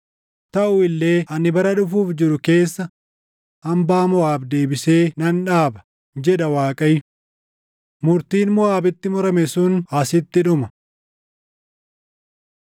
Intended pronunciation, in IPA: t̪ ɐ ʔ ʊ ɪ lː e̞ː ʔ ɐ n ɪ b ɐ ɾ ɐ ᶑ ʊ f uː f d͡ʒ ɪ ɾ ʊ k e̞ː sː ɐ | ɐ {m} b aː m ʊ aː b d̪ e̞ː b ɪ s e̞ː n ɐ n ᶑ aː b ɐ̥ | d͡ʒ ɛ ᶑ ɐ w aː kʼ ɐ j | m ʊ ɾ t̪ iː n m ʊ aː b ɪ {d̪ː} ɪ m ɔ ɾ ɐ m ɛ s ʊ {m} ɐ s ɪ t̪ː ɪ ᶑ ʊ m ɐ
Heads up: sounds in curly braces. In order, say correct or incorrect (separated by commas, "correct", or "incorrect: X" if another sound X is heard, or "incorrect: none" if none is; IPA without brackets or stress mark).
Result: correct, incorrect: t̪ː, incorrect: n